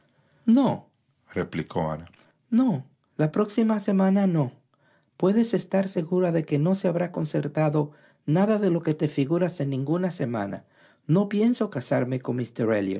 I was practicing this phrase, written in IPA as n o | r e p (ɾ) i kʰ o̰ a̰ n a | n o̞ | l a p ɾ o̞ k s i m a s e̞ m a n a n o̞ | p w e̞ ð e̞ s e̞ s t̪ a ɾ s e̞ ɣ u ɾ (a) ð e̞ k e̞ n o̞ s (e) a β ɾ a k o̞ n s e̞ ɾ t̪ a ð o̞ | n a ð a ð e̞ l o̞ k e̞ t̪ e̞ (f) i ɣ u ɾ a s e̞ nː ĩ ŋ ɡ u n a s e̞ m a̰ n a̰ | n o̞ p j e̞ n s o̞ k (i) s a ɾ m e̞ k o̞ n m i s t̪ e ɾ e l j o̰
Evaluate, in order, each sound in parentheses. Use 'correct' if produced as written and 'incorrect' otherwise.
incorrect: l, correct, correct, correct, incorrect: a

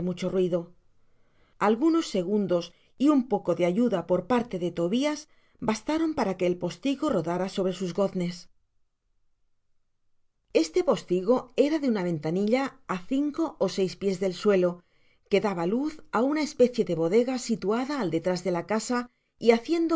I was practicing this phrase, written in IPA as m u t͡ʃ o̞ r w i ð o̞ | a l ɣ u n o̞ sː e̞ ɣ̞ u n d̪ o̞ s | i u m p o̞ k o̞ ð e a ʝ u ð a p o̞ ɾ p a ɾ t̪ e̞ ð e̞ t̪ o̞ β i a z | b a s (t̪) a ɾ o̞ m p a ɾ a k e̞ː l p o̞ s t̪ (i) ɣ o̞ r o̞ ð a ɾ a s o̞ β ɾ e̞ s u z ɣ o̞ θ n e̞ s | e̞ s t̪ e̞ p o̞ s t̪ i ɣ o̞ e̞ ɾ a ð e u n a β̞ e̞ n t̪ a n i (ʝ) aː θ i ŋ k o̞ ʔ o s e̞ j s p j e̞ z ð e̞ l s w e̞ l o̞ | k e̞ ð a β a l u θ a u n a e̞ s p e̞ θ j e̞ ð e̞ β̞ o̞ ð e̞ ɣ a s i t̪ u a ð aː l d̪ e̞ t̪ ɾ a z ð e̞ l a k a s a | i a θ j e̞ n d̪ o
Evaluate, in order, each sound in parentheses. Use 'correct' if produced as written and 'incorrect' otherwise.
correct, correct, incorrect: ʎ

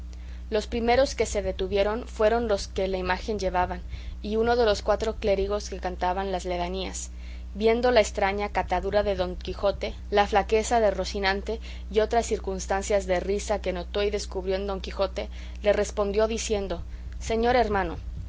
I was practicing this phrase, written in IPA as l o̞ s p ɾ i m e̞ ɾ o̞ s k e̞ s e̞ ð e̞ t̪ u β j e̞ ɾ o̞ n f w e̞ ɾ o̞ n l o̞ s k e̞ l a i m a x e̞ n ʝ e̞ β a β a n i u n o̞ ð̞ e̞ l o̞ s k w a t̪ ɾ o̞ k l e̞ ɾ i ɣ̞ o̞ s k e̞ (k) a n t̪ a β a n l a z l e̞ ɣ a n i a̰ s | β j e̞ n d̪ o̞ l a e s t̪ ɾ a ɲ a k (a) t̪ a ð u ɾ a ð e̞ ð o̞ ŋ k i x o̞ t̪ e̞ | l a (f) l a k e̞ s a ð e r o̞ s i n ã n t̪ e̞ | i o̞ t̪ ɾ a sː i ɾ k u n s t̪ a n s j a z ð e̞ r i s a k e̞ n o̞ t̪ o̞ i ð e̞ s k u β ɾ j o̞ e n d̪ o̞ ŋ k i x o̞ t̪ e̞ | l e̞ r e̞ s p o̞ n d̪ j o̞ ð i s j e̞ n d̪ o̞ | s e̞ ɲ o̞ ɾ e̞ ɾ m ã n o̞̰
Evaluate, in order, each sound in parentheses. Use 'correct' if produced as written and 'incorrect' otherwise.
correct, correct, correct

